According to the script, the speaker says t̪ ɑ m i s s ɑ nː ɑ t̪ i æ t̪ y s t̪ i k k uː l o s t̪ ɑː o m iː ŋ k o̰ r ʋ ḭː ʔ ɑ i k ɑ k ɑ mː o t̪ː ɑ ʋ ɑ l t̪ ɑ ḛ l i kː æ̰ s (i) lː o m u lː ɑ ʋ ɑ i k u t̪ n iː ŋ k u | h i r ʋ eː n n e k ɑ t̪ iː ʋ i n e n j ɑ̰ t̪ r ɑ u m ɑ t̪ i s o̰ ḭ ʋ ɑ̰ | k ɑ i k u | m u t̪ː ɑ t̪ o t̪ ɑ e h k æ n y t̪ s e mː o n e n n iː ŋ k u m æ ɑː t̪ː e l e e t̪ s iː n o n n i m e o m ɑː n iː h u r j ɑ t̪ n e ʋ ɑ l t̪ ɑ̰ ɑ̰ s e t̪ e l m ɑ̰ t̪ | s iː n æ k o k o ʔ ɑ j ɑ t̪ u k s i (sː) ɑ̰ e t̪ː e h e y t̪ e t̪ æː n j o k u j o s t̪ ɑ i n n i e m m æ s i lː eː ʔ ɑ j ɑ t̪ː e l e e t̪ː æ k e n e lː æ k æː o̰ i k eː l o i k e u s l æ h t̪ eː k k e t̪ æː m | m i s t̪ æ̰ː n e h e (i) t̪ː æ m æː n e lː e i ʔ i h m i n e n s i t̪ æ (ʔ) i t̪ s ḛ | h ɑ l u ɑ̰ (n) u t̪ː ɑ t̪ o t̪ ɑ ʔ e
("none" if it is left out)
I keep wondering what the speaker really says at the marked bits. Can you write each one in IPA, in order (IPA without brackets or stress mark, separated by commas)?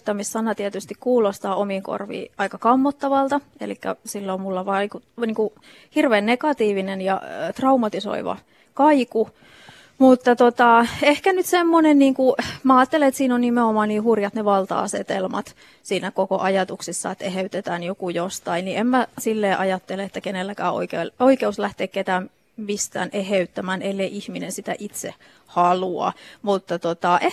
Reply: i, sː, y, ʔ, m